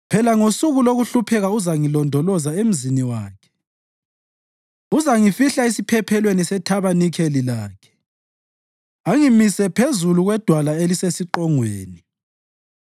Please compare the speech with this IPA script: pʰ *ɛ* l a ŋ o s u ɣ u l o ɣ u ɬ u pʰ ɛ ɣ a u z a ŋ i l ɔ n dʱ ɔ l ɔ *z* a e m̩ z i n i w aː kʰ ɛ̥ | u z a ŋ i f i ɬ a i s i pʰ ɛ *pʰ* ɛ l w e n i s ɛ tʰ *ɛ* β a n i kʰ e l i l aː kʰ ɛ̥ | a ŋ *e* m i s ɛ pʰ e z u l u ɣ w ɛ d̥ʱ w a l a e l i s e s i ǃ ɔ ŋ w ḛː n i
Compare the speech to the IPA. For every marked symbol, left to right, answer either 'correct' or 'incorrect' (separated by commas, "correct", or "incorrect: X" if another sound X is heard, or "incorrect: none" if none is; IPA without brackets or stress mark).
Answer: correct, correct, correct, incorrect: a, incorrect: i